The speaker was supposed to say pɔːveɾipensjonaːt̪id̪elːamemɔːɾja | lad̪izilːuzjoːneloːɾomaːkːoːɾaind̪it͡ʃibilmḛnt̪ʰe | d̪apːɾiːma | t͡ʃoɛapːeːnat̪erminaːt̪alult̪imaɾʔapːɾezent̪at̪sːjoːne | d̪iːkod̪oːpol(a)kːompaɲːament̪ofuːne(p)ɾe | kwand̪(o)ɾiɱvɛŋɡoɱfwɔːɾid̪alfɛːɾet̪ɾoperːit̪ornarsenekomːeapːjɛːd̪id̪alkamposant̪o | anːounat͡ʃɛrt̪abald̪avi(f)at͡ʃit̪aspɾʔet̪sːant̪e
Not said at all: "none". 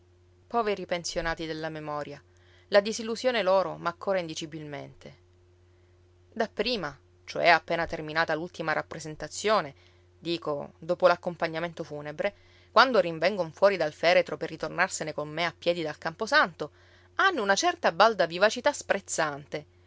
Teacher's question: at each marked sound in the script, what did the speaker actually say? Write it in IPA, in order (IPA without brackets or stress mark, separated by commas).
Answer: a, b, o, v